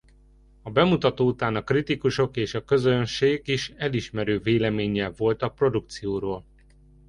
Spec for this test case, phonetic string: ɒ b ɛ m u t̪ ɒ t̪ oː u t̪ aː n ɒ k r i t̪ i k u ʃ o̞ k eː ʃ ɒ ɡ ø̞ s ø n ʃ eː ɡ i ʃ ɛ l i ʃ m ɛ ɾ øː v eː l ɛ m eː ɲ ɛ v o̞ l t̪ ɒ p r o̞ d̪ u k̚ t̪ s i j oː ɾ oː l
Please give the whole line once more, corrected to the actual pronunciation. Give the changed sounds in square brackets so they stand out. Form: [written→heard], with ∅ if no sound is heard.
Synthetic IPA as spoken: ɒ b ɛ m u t̪ ɒ t̪ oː u t̪ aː n ɒ k r i t̪ i k u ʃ o̞ k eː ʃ ɒ [ɡ→k] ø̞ [s→z] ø n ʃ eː ɡ i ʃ ɛ l i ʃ m ɛ ɾ øː v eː l ɛ m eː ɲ ɛ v o̞ l t̪ ɒ p r o̞ d̪ u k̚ t̪ s i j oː ɾ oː l